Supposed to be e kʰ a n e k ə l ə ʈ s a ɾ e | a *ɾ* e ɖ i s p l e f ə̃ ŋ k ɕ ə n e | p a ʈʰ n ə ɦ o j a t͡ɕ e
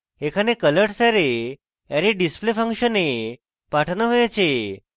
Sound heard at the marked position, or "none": ɾ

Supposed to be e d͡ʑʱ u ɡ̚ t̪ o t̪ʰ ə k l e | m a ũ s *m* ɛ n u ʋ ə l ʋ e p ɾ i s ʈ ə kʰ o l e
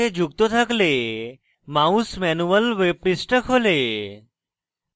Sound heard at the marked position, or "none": m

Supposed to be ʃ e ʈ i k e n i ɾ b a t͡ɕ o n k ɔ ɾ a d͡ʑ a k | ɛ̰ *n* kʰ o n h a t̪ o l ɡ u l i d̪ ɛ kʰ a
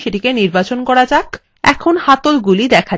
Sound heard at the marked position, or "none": none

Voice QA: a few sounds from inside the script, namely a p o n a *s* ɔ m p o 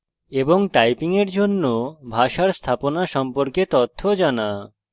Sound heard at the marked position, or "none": ʃ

